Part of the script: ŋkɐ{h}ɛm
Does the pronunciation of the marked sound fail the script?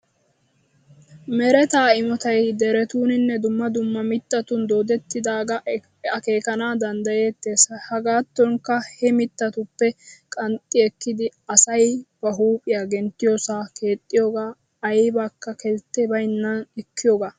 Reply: no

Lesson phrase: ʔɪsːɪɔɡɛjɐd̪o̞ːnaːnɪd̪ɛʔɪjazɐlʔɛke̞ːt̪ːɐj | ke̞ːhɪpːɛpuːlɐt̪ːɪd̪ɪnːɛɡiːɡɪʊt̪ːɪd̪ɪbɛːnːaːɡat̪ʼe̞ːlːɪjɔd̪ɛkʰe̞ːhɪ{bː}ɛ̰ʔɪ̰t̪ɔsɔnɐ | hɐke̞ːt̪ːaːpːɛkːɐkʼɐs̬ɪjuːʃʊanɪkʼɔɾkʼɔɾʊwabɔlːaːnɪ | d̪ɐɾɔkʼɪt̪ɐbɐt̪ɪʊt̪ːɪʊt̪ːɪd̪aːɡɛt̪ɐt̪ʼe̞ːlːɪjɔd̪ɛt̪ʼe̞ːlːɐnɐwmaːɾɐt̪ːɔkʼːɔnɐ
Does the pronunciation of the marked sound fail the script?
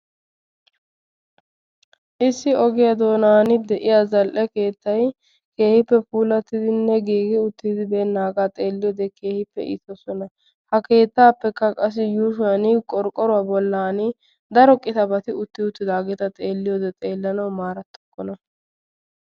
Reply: yes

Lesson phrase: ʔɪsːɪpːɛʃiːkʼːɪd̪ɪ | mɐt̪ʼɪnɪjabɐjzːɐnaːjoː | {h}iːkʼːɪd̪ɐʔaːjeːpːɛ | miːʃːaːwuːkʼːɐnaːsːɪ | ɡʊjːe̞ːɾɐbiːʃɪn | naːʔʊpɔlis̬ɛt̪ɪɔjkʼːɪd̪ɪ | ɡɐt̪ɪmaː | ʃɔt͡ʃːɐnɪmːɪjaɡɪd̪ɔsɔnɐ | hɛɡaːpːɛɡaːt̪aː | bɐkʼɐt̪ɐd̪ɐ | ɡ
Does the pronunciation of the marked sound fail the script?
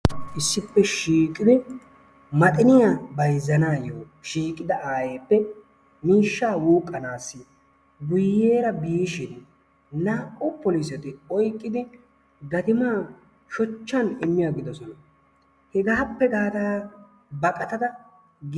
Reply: yes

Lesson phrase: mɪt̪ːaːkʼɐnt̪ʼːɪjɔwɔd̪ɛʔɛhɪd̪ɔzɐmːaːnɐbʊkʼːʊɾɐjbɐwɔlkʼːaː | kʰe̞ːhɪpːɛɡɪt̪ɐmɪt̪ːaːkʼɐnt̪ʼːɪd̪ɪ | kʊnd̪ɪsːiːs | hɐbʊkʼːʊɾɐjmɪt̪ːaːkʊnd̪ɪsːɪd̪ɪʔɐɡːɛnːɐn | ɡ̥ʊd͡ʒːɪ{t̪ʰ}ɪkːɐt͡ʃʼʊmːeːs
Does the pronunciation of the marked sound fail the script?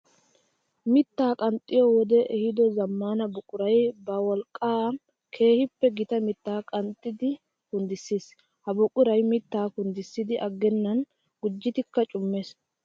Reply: yes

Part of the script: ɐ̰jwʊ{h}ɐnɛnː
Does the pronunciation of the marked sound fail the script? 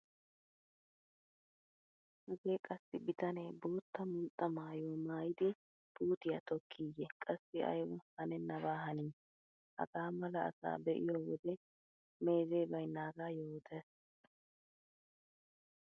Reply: no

